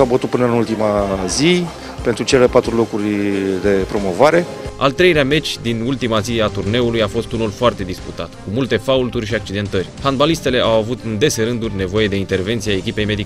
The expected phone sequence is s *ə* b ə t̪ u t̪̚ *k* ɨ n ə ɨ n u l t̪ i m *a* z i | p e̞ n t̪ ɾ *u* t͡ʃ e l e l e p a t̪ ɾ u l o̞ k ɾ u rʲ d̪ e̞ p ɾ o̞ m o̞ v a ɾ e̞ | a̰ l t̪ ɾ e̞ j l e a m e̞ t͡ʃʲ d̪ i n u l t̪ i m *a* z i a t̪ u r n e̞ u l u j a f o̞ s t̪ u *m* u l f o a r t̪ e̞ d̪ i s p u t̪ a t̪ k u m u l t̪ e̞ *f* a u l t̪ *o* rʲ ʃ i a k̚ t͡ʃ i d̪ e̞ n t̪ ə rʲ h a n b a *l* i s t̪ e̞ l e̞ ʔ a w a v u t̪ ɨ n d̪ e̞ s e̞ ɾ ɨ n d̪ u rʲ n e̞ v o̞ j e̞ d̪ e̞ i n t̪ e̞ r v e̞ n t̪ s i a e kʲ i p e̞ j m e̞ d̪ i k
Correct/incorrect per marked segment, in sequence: incorrect, incorrect, correct, correct, correct, incorrect, correct, incorrect, correct

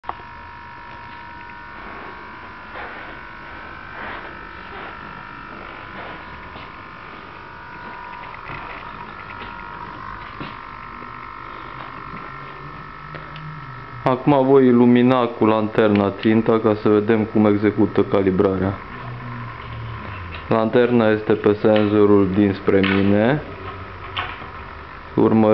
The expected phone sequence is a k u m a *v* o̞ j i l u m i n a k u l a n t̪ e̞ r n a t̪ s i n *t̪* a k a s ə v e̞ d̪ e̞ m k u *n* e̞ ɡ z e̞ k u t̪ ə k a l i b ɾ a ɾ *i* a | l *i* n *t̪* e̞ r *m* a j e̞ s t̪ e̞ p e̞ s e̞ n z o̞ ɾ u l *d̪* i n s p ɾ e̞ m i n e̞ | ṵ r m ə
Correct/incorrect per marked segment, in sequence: correct, correct, incorrect, incorrect, incorrect, correct, incorrect, correct

